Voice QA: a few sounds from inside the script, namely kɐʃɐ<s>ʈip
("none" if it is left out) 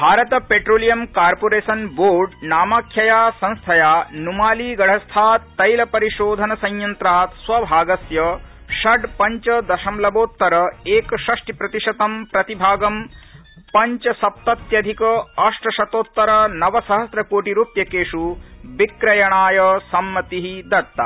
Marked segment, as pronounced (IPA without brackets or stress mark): ʂ